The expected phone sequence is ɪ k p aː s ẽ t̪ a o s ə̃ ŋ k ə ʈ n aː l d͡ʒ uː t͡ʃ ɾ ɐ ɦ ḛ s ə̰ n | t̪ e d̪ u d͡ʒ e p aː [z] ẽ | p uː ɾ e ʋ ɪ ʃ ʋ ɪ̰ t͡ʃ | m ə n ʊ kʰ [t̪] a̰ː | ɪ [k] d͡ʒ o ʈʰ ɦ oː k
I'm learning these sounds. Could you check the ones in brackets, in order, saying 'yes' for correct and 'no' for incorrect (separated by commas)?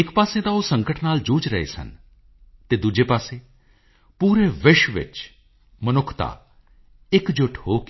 no, yes, yes